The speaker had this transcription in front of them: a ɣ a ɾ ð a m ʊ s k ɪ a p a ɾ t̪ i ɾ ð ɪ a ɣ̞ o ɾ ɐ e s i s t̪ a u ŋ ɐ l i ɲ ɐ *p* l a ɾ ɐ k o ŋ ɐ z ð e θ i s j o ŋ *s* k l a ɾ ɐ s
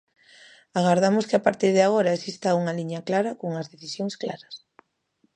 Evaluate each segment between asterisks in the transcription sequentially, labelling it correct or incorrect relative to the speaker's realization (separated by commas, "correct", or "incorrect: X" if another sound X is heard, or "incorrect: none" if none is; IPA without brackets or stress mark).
incorrect: k, correct